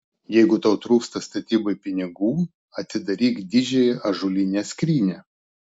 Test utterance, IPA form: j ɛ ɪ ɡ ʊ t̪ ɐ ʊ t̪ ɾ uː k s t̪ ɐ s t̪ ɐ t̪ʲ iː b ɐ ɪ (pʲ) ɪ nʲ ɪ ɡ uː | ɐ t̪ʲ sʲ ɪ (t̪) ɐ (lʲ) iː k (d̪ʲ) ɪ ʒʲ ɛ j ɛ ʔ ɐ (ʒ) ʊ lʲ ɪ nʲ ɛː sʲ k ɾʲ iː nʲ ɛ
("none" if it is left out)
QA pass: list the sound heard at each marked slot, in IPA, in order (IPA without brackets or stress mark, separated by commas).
pʲ, d̪, ɾʲ, d̪ʲ, ʒ